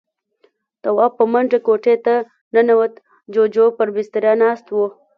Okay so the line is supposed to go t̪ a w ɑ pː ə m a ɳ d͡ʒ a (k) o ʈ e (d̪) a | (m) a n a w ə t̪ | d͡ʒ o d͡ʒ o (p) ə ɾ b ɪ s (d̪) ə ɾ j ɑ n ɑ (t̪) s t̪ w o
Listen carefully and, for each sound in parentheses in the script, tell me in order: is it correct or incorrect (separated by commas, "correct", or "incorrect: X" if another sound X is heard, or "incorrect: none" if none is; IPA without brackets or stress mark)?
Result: correct, incorrect: t̪, incorrect: n, correct, incorrect: t̪, incorrect: none